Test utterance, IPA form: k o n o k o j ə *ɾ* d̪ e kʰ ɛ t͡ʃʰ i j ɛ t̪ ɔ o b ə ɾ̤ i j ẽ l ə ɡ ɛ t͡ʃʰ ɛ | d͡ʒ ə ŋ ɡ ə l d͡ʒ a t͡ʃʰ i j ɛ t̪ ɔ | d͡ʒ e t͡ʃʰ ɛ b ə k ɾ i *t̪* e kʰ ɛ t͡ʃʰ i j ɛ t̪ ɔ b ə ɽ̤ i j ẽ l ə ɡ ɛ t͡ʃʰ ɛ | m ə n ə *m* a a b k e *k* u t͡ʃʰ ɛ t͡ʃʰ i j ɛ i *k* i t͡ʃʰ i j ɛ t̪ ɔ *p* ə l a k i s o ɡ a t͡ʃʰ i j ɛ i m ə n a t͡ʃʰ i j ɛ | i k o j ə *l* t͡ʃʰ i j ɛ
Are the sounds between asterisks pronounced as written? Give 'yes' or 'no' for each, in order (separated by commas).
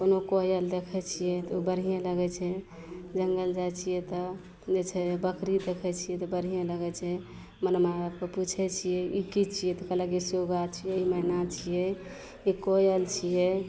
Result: no, no, yes, no, yes, no, yes